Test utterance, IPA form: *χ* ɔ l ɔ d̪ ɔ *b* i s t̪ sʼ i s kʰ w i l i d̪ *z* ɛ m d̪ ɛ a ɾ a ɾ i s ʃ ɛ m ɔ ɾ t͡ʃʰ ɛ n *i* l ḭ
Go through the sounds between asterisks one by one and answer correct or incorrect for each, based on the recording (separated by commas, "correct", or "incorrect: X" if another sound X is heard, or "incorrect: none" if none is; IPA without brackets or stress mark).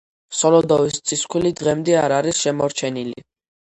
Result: incorrect: s, incorrect: v, incorrect: ʁ, correct